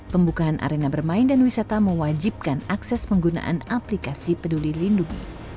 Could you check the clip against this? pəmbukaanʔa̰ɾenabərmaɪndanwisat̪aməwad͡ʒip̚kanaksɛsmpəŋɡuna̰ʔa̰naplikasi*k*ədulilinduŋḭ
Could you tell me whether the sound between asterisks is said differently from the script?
yes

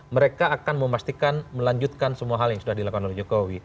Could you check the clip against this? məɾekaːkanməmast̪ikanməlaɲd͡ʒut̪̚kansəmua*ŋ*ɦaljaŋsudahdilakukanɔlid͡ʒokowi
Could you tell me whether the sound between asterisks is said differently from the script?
yes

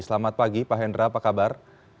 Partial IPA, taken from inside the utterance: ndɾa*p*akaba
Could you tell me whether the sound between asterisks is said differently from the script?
no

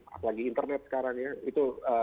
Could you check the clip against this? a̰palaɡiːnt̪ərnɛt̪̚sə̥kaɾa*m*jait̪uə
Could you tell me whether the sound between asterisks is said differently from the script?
yes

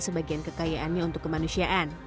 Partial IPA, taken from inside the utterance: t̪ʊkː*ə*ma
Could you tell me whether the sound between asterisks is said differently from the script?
no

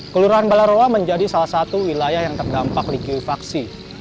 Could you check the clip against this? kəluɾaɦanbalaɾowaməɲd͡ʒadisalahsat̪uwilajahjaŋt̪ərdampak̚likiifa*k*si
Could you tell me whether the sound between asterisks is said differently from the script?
no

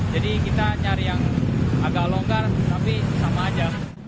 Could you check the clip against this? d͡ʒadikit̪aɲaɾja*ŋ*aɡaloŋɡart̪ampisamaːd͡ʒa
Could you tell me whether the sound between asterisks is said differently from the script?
no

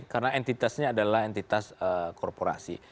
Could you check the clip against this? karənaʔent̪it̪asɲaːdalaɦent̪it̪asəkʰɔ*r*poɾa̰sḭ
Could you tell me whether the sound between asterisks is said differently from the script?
no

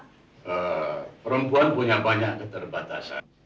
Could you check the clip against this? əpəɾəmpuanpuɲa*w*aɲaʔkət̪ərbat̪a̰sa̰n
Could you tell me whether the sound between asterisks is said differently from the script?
yes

